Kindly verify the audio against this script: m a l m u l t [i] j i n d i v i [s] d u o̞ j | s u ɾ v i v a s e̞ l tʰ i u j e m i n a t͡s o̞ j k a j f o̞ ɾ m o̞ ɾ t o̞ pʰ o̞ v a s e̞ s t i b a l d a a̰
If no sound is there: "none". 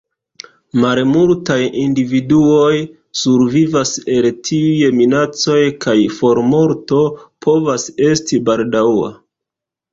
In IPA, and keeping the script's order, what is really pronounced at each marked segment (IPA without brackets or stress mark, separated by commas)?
a, none